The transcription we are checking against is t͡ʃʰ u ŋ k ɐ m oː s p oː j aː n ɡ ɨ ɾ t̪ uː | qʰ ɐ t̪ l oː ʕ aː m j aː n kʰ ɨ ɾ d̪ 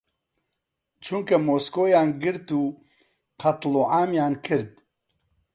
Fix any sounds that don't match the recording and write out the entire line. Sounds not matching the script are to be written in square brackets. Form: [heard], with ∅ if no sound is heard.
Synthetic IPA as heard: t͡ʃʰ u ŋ k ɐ m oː s [k] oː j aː n ɡ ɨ ɾ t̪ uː | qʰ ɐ t̪ l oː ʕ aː m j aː n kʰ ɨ ɾ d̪